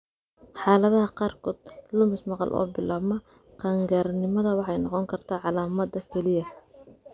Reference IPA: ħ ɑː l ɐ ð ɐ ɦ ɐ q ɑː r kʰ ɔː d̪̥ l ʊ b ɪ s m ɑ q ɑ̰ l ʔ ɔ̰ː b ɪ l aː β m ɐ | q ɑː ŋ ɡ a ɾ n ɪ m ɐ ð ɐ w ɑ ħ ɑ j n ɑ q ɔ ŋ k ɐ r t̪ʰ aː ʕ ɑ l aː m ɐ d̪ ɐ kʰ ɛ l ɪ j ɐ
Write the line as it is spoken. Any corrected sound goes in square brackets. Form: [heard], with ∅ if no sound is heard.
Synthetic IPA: ħ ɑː l ɐ ð ɐ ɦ ɐ q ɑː r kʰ ɔː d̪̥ l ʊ [m] ɪ s m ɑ q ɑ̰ l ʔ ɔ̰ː b ɪ l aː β m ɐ | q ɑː ŋ ɡ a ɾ n ɪ m ɐ ð ɐ w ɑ ħ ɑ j n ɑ q ɔ ŋ [kʰ] ɐ r t̪ʰ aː ʕ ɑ l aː m ɐ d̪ ɐ kʰ ɛ l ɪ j ɐ